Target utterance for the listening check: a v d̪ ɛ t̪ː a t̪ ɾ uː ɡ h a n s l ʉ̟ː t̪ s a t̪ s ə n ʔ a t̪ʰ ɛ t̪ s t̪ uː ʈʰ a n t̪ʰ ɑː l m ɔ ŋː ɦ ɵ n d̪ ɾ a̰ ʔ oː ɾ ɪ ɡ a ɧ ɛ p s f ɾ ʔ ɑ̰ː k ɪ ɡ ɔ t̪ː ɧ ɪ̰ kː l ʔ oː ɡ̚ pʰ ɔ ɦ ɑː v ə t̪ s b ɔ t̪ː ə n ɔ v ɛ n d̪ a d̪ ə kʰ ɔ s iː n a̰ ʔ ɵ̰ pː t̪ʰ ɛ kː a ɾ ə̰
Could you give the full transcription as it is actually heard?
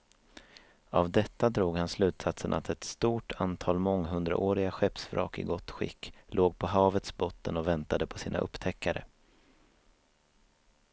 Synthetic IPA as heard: a v d̪ ɛ t̪ː a d̪ ɾ uː ɡ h a n s l ʉ̟ː t̪ s a t̪ s ə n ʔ a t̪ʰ ɛ t̪ s t̪ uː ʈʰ a n t̪ʰ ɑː l m ɔ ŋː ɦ ɵ n d̪ ɾ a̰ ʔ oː ɾ ɪ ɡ a ɧ ɛ p s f ɾ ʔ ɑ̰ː k ɪ ɡ ɔ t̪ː ɧ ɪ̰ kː l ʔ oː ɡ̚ pʰ ɔ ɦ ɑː v ə t̪ s b ɔ t̪ː ə n ɔ v ɛ n t̪ a d̪ ə pʰ ɔ s iː n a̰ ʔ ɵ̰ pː t̪ʰ ɛ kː a ɾ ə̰